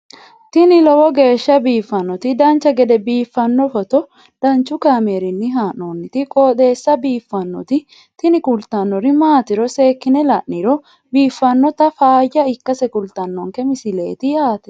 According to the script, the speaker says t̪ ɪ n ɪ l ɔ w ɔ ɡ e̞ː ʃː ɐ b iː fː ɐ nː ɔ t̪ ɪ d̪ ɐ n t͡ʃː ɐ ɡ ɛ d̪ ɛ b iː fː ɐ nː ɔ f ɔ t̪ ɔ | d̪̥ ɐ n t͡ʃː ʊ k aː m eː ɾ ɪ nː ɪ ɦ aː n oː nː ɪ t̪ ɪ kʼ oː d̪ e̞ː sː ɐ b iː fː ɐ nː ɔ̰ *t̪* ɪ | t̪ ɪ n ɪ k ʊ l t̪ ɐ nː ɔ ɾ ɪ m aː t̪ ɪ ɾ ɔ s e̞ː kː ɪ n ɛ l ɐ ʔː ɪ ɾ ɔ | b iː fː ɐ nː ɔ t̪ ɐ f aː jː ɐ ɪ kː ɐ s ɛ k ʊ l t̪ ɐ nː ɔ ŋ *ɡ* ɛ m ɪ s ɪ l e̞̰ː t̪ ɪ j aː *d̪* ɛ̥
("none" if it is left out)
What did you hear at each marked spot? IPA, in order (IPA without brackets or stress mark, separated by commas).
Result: t̪, k, t̪